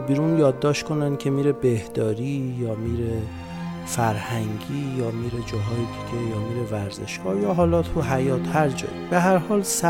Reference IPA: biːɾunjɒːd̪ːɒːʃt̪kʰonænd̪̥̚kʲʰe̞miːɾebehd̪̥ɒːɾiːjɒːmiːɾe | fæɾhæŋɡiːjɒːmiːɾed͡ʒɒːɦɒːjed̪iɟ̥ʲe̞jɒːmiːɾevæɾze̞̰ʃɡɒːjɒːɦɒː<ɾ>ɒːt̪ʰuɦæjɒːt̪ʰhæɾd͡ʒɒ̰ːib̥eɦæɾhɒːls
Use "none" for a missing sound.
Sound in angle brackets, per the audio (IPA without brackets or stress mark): l